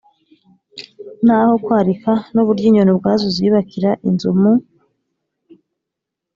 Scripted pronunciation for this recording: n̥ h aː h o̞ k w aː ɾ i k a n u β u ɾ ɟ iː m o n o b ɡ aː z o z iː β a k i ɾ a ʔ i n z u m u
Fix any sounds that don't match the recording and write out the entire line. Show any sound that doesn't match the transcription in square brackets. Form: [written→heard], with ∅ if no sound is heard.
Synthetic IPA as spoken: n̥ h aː h o̞ k w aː ɾ i k a n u β u ɾ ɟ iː [m→ɲ] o n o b ɡ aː z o z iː β a k i ɾ a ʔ i n z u m u